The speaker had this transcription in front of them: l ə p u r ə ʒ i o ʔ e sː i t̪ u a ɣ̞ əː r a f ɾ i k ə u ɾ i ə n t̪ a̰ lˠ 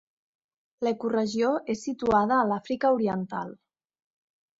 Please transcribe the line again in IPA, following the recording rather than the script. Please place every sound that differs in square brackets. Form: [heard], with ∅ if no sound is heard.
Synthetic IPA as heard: l ə [k] u r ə ʒ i o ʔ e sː i t̪ u a [ð̞] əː [l] a f ɾ i k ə u ɾ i ə n t̪ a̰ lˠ